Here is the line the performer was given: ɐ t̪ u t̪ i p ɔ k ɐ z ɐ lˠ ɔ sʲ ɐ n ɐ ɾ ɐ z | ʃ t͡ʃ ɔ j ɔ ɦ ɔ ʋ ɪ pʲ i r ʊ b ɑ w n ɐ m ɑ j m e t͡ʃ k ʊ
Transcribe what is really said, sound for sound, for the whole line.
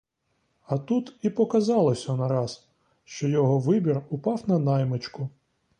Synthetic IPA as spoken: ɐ t̪ u t̪ i p ɔ k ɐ z ɑ lˠ ɔ sʲ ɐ n ɐ ɾ ɑ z | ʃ t͡ʃ ɔ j ɔ ɦ ɔ ʋ ɪ bʲ i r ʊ p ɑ w n ɐ n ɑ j m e t͡ʃ k ʊ